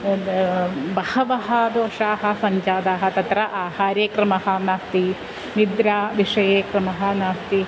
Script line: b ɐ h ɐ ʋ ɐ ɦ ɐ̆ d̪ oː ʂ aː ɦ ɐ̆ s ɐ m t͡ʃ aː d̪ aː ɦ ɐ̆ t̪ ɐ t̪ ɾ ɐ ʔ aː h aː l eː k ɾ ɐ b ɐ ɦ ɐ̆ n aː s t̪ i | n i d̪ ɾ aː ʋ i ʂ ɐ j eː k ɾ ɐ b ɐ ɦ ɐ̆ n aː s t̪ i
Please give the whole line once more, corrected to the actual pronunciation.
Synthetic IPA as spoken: b ɐ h ɐ ʋ ɐ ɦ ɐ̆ d̪ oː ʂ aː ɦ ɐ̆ s ɐ ɲ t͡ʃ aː d̪ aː ɦ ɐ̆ t̪ ɐ t̪ ɾ ɐ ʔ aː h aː ɾ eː k ɾ ɐ m ɐ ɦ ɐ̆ n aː s t̪ i | n i d̪ ɾ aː ʋ i ʂ ɐ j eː k ɾ ɐ m ɐ ɦ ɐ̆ n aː s t̪ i